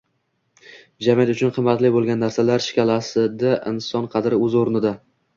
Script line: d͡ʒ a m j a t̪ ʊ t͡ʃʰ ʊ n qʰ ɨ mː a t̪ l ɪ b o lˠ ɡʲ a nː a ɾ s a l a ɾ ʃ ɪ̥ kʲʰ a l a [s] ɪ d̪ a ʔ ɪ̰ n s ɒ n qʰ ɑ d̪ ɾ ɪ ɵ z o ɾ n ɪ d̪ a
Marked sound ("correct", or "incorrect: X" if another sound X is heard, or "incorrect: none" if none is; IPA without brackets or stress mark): correct